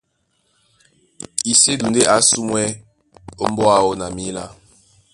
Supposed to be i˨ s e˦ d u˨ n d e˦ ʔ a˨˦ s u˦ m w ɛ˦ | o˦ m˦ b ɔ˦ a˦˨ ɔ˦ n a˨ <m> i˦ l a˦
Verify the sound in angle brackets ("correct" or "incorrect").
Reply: correct